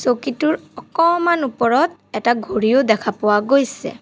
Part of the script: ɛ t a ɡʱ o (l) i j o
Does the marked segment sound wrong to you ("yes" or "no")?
yes